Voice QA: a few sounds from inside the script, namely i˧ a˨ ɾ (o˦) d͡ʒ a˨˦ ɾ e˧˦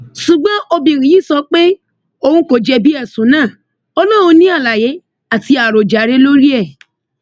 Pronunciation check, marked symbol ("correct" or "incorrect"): incorrect